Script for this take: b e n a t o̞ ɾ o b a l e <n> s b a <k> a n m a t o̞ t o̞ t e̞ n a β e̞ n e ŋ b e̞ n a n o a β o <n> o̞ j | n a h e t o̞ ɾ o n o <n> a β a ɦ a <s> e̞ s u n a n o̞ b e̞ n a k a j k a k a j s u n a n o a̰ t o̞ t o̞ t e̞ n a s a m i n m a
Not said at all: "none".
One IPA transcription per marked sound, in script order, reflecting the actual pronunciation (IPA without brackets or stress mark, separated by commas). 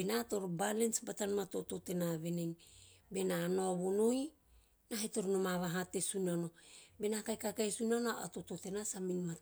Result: n, t, n, m, t